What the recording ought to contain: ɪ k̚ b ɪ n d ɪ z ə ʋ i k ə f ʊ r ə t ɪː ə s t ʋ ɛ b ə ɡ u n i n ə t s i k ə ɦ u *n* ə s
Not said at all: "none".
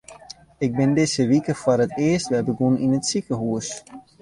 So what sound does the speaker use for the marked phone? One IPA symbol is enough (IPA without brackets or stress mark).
none